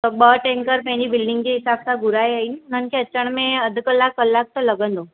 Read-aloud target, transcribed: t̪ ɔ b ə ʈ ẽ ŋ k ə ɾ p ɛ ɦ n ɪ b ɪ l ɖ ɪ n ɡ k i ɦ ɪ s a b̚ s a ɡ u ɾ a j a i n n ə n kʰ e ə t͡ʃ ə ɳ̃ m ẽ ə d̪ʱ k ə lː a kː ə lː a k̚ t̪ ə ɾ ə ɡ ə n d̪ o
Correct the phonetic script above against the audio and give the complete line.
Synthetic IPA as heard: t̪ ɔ b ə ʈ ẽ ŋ k ə ɾ p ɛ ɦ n i b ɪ l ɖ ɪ ŋ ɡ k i ɦ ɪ s a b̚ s a ɡ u ɾ a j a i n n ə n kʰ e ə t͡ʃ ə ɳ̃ m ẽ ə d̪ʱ k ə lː a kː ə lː a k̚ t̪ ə l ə ɡ ə n d̪ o